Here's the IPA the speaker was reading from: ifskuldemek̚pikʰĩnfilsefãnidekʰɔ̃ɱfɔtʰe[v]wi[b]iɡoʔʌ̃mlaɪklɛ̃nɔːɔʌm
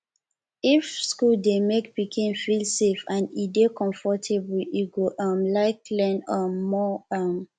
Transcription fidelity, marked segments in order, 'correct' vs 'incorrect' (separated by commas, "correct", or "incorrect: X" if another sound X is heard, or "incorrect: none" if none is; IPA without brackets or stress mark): incorrect: b, incorrect: none